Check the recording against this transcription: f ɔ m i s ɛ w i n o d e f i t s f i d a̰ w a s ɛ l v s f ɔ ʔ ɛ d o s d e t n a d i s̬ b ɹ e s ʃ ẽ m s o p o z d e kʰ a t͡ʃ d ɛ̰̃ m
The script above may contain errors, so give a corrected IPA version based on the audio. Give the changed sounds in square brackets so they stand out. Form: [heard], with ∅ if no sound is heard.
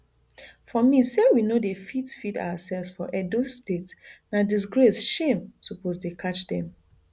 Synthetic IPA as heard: f ɔ m i s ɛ w i n o d e f i t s f i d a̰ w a s ɛ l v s f ɔ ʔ ɛ d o s [t] e t n a d i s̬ [ɡ] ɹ e s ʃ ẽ m s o p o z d e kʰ a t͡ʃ d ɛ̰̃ m